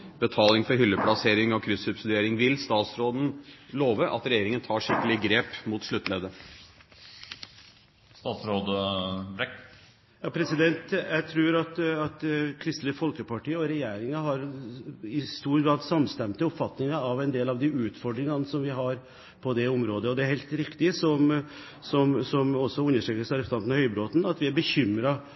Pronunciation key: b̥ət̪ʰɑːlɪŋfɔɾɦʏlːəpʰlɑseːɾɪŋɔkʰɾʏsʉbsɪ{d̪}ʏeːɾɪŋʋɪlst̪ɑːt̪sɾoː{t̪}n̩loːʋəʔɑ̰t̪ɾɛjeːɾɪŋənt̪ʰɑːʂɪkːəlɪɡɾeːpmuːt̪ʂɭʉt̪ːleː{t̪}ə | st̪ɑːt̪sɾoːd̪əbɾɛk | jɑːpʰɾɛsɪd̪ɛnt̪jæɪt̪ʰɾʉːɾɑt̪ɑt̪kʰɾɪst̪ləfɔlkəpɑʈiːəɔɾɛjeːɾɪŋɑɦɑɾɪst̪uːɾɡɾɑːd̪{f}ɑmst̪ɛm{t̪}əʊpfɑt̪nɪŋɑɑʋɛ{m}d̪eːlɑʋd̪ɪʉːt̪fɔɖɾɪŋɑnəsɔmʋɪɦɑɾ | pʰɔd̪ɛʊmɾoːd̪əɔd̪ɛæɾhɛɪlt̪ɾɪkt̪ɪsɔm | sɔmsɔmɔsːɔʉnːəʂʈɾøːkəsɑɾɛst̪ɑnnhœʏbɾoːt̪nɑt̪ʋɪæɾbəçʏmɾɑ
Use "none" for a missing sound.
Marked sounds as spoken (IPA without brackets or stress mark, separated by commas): d̪, d̪, d̪, s, t̪, n